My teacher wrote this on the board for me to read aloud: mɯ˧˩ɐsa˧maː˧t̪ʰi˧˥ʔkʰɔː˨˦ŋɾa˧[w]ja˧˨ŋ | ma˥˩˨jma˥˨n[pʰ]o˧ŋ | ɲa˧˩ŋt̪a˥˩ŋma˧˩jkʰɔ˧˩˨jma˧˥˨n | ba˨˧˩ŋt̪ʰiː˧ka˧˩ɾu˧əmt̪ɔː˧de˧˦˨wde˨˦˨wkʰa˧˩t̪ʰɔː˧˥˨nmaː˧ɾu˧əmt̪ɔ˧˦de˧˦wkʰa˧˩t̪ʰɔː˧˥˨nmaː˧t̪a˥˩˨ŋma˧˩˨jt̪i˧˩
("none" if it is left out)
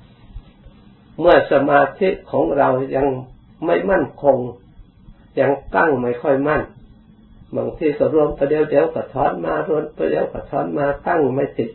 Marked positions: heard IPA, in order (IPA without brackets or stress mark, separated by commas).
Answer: w, kʰ